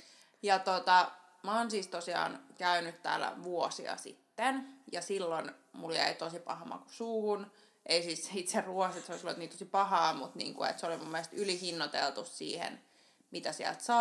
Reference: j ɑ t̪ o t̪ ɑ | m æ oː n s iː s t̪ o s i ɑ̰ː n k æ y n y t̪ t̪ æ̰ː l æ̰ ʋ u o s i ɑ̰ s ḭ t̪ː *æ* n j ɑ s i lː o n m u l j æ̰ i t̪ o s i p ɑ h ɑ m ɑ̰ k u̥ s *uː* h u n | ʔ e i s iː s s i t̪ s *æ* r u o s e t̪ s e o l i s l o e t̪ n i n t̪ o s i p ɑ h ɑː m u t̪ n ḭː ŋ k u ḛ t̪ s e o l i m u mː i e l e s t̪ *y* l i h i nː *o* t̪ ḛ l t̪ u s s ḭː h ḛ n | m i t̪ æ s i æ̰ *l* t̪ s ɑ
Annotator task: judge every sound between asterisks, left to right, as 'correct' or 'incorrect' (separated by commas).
incorrect, correct, incorrect, correct, correct, correct